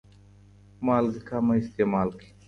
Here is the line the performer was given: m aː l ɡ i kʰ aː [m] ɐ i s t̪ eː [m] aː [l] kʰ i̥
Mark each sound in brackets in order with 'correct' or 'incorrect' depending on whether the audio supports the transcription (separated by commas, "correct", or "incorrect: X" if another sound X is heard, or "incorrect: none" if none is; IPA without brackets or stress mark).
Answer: correct, correct, correct